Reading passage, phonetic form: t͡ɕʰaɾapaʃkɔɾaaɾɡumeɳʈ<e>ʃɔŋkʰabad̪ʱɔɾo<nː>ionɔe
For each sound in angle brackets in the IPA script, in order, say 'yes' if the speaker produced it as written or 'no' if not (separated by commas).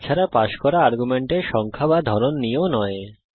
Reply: yes, yes